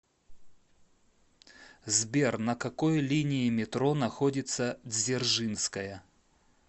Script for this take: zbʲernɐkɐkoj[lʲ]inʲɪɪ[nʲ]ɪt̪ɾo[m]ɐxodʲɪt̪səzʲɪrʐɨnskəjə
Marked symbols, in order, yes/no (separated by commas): yes, no, no